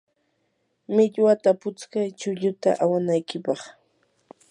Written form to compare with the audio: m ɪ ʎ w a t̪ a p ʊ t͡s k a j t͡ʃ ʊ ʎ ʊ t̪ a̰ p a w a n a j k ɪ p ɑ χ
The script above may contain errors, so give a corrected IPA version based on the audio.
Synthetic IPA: m ɪ ʎ w a t̪ a p ʊ t͡s k a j t͡ʃ ʊ ʎ ʊ t̪ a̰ ʔ a w a n a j k ɪ p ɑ χ